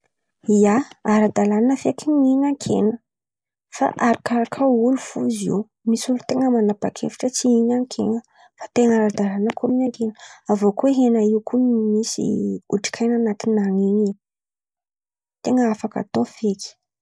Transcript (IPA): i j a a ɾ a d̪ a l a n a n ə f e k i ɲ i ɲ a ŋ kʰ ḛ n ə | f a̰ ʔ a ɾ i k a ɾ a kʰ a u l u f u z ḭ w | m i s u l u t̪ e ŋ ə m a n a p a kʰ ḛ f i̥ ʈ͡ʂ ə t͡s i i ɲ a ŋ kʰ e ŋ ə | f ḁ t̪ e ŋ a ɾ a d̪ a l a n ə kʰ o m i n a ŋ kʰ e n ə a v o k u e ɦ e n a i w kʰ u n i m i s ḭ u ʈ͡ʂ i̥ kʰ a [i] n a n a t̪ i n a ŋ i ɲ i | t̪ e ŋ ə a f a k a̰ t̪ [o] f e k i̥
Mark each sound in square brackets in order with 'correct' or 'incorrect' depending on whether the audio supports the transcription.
incorrect, correct

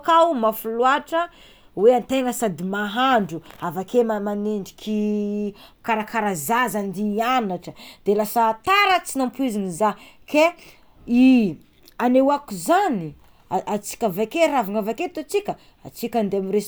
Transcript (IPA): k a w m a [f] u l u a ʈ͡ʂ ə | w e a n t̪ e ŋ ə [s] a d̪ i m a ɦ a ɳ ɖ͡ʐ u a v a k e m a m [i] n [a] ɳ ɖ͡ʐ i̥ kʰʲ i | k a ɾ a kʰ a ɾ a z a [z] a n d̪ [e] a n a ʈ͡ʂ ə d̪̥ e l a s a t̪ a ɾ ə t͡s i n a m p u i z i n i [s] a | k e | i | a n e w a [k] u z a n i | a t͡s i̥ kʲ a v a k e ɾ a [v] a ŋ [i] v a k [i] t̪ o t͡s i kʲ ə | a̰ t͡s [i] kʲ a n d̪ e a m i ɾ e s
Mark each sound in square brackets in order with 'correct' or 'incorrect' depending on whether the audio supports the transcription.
correct, correct, incorrect, incorrect, correct, incorrect, incorrect, correct, correct, incorrect, incorrect, correct

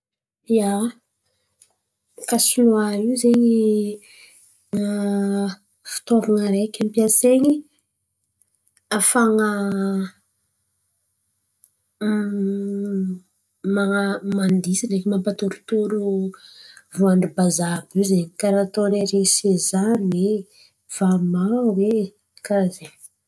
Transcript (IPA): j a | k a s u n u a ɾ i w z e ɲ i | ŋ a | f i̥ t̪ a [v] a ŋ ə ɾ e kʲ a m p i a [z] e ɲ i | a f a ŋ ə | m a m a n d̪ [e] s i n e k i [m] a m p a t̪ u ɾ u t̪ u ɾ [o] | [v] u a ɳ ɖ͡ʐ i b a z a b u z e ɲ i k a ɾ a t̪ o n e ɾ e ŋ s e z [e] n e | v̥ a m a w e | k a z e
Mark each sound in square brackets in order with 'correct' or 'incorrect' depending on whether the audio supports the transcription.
correct, incorrect, incorrect, correct, incorrect, correct, incorrect

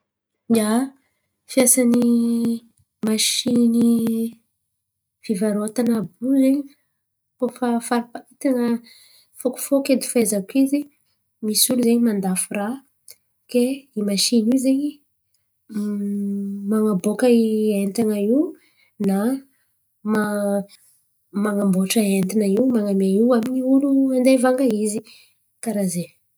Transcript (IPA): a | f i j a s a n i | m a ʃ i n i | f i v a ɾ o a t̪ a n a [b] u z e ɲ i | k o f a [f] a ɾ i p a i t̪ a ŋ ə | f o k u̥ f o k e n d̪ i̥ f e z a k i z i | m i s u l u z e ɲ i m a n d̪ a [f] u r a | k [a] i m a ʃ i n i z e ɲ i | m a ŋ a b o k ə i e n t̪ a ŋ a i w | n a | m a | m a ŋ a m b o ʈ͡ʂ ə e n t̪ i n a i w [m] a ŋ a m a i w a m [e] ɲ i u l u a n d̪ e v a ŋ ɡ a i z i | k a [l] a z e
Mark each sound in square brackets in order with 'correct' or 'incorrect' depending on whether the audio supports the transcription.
correct, correct, correct, incorrect, correct, incorrect, incorrect

